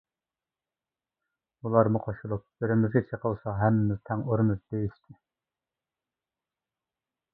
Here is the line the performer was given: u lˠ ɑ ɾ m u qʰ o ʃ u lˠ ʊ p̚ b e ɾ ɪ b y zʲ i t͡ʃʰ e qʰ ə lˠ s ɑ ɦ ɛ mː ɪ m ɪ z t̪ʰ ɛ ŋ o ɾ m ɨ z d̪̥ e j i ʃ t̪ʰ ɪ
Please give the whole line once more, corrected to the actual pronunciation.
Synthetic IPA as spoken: u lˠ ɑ ɾ m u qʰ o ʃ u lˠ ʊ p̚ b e ɾ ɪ m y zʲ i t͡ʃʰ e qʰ ə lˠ s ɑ ɦ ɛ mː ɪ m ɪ z t̪ʰ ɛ ŋ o ɾ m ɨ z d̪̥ e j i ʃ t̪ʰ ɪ